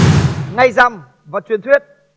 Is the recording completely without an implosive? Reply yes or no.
yes